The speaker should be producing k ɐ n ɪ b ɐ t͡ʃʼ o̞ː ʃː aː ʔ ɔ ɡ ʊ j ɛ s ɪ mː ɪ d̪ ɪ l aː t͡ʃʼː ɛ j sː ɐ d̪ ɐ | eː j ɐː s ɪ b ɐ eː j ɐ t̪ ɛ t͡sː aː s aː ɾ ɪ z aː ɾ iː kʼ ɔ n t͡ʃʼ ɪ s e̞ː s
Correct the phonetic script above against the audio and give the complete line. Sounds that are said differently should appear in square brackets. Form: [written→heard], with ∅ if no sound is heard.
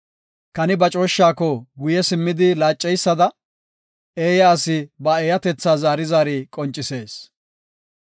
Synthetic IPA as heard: k ɐ n ɪ b ɐ t͡ʃʼ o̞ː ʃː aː [ʔ→k] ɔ ɡ ʊ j ɛ s ɪ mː ɪ d̪ ɪ l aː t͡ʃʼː ɛ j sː ɐ d̪ ɐ | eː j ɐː s ɪ b ɐ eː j ɐ t̪ ɛ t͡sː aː [s→z] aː ɾ ɪ z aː ɾ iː kʼ ɔ n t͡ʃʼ ɪ s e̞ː s